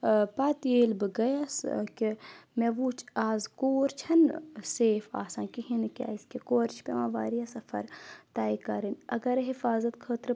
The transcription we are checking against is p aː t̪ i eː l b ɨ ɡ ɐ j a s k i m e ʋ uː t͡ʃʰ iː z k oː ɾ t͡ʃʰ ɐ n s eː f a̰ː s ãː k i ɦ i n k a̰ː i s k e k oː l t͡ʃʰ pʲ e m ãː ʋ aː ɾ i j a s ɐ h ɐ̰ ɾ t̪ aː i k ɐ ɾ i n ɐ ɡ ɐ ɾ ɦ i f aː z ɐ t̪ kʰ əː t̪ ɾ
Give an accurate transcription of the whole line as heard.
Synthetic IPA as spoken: p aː t̪ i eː l b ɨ ɡ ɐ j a s k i m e ʋ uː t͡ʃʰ aː z k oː ɾ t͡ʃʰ ɐ n s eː f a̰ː s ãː k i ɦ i n k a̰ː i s k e k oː ɾ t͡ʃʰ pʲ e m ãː ʋ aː ɾ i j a s ɐ f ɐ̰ ɾ t̪ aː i k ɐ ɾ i n ɐ ɡ ɐ ɾ ɦ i f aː z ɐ t̪ kʰ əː t̪ ɾ